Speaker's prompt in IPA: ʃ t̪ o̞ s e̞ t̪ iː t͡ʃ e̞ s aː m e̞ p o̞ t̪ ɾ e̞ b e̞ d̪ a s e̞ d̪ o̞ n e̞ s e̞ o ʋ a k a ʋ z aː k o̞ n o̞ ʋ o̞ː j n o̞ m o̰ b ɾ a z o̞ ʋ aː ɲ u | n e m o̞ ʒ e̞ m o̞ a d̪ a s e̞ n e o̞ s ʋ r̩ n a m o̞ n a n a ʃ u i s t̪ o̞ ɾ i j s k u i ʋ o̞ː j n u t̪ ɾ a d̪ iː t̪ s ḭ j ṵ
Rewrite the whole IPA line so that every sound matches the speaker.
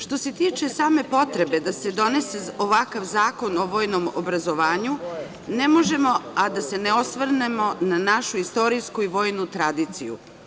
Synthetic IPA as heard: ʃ t̪ o̞ s e̞ t̪ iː t͡ʃ e̞ s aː m e̞ p o̞ t̪ ɾ e̞ b e̞ d̪ a s e̞ d̪ o̞ n e̞ s e̞ o ʋ a k a ʋ z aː k o̞ n o̞ ʋ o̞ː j n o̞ m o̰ b ɾ a z o̞ ʋ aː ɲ u | n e m o̞ ʒ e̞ m o̞ a d̪ a s e̞ n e o̞ s ʋ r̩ n e m o̞ n a n a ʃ u i s t̪ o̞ ɾ i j s k u i ʋ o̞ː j n u t̪ ɾ a d̪ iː t̪ s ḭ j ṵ